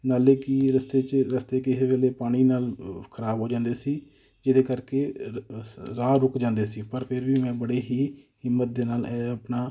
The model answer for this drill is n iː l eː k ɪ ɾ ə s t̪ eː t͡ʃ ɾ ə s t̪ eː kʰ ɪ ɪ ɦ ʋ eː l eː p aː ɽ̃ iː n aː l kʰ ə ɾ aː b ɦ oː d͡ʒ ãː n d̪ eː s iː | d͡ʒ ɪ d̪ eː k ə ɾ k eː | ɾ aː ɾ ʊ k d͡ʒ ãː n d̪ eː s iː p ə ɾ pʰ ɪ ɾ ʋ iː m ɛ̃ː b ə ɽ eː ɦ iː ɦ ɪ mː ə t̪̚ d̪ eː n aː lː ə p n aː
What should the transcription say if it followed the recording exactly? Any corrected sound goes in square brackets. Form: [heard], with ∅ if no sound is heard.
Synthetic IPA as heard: n [aː] l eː k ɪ ɾ ə s t̪ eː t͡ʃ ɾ ə s t̪ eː [k] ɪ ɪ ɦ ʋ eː l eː p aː ɽ̃ iː n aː l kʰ ə ɾ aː b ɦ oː d͡ʒ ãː n d̪ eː s iː | d͡ʒ ɪ d̪ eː k ə ɾ k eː | ɾ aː ɾ ʊ k d͡ʒ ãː n d̪ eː s iː p ə ɾ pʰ ɪ ɾ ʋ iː m ɛ̃ː b ə ɽ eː ɦ iː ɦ ɪ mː ə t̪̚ d̪ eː n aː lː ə p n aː